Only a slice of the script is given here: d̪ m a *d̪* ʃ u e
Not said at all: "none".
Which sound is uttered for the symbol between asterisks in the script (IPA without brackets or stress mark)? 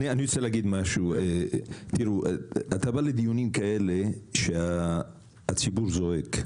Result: none